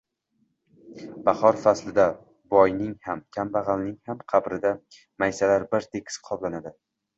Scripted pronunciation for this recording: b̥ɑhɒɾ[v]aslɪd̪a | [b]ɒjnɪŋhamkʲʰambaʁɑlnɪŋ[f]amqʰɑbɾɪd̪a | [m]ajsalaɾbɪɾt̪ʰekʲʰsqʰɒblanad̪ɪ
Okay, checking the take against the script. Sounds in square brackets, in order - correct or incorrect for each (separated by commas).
incorrect, correct, incorrect, correct